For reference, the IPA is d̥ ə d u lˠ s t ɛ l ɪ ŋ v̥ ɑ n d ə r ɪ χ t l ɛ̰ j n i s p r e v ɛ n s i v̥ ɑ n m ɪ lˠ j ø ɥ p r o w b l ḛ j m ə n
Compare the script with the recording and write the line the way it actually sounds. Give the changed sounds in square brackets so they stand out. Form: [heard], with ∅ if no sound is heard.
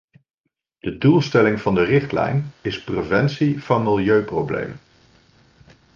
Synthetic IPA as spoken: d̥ ə d u lˠ s t ɛ l ɪ ŋ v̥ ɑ n d ə r ɪ χ t l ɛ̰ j n [ɪ] s p r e v ɛ n s i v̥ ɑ n m ɪ lˠ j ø ɥ p r o w b l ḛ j m ə n